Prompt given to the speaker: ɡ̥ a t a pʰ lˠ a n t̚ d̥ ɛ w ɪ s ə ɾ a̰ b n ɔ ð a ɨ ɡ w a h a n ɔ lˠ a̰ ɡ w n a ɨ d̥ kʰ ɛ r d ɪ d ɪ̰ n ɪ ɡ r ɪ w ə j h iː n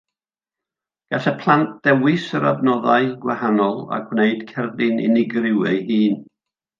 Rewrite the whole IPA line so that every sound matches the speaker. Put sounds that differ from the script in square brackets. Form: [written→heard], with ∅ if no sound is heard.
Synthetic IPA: ɡ̥ a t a pʰ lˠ a n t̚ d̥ ɛ w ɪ s ə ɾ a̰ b n ɔ ð a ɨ ɡ w a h a n ɔ lˠ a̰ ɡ w n [a→e] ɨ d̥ kʰ ɛ r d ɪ [d→n] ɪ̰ n ɪ ɡ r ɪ w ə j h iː n